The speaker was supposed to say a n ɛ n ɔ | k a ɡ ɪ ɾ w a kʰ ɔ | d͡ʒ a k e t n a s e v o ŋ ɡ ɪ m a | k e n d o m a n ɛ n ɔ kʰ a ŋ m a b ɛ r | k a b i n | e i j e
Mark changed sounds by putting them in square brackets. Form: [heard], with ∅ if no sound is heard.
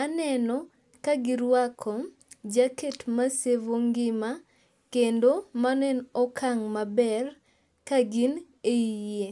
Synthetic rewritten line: a n ɛ n ɔ | k a ɡ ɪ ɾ w a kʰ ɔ | d͡ʒ a k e t [m] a s e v o ŋ ɡ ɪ m a | k e n d o m a n ɛ n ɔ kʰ a ŋ m a b ɛ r | k a [ɡ] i n | e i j e